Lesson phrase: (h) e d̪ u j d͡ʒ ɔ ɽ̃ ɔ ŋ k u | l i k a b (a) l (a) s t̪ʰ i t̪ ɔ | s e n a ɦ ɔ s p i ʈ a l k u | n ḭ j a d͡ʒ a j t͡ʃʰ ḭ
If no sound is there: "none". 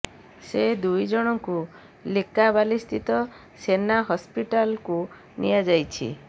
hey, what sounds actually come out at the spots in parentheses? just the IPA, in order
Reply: s, a, i

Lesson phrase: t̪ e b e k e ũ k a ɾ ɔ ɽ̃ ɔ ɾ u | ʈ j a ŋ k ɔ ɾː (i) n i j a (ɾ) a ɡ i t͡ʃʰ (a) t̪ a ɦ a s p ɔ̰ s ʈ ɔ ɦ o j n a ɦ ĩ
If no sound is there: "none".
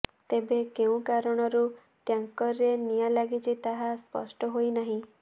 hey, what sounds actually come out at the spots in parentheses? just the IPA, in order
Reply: e, l, i

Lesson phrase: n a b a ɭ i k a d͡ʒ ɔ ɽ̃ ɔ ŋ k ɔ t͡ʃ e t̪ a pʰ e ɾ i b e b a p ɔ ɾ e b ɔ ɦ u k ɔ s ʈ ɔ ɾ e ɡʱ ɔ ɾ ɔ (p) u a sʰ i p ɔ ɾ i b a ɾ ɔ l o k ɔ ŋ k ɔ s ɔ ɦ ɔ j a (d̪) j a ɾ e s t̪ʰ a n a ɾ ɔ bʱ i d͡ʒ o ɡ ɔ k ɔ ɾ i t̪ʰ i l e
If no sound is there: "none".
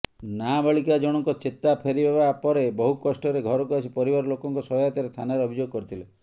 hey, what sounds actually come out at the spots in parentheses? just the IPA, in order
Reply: k, t̪

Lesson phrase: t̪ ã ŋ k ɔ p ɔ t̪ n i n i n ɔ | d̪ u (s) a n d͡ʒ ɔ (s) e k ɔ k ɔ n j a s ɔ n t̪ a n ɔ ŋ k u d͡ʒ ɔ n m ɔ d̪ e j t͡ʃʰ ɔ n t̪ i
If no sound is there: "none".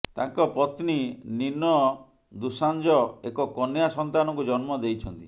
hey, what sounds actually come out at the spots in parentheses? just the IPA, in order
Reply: s, none

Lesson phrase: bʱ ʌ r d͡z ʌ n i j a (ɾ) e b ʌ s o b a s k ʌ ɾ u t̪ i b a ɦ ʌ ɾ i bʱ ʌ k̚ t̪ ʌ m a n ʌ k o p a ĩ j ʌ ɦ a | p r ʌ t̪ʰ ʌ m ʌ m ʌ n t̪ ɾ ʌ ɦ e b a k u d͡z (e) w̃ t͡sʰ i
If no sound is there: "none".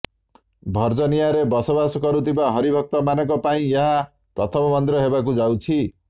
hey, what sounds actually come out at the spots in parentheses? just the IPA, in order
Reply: ɾ, a

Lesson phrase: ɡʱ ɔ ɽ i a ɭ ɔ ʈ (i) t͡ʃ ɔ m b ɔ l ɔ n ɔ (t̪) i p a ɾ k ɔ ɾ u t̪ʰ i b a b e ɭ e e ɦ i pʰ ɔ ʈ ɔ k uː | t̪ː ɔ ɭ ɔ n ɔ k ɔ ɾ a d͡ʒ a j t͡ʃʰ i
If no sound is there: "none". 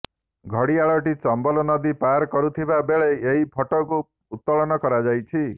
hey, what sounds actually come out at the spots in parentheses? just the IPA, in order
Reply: i, d̪

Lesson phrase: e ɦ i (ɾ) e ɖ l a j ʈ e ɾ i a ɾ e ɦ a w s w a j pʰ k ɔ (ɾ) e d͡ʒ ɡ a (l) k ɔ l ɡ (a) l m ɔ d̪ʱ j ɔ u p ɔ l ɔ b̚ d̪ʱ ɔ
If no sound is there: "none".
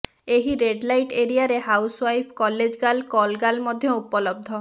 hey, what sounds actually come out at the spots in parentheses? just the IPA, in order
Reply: ɾ, l, l, a

